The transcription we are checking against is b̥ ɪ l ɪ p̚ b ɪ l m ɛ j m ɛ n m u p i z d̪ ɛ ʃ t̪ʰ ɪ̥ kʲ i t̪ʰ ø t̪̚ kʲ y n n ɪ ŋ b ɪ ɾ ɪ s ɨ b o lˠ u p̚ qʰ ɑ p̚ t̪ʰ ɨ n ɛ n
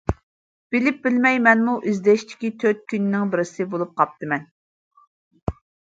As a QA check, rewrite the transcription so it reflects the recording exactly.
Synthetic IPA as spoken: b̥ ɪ l ɪ p̚ b ɪ l m ɛ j m ɛ n m u ʔ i z d̪ ɛ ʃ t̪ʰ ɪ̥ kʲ i t̪ʰ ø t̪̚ kʲ y n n ɪ ŋ b ɪ ɾ ɪ s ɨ b o lˠ u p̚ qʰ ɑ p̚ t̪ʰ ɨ m ɛ n